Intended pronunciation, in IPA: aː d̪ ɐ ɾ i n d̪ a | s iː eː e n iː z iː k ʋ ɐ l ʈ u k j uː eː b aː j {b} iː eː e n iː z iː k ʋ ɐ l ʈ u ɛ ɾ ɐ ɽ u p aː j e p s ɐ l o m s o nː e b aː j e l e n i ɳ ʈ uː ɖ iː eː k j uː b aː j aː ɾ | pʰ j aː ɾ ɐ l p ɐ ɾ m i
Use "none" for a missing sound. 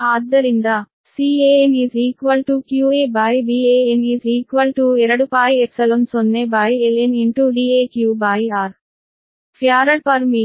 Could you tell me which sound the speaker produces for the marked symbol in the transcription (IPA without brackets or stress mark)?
b